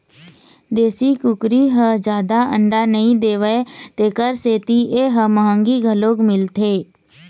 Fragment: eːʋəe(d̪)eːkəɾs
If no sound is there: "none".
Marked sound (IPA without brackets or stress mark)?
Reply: t̪